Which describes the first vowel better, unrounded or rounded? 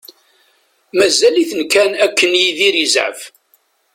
unrounded